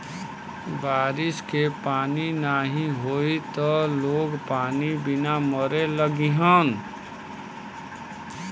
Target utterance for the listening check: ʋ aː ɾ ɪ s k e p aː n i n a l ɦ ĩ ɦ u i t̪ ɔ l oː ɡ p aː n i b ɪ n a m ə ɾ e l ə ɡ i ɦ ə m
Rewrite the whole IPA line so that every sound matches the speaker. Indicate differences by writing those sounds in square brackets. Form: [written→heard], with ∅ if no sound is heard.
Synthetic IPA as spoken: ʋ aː ɾ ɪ s k e p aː n i n a [l→∅] ɦ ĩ ɦ [u→o] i t̪ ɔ l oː ɡ p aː n i b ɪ n a m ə ɾ e l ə ɡ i ɦ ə [m→n]